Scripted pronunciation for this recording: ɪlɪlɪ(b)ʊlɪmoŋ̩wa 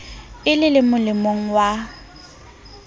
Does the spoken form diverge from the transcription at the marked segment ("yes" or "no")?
yes